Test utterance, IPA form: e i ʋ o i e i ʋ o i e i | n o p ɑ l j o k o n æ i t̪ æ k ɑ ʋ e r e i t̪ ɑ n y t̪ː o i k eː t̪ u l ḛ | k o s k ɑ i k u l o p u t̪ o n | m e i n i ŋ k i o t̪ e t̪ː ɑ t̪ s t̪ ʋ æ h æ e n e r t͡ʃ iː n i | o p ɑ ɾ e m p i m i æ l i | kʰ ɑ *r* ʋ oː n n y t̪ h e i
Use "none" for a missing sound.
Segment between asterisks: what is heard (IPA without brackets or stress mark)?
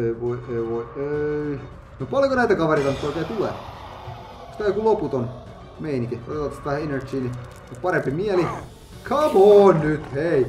none